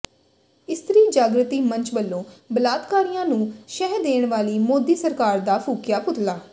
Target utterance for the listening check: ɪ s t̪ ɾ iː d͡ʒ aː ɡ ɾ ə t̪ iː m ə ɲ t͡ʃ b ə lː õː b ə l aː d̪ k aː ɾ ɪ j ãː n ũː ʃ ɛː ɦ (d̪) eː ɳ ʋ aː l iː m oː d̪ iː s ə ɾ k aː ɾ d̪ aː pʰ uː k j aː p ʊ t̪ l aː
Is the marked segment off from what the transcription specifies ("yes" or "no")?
no